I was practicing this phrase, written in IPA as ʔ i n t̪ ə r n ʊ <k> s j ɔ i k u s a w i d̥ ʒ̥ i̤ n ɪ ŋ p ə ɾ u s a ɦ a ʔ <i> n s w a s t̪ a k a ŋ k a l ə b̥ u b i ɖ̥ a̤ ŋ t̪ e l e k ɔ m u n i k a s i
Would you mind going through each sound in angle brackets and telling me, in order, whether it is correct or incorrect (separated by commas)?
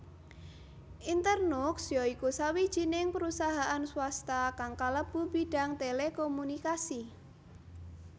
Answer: correct, incorrect